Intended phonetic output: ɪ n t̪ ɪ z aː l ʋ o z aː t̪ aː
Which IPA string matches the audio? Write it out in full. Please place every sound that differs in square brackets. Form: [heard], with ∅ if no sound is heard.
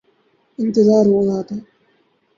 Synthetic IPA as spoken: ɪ n t̪ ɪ z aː [ɾ] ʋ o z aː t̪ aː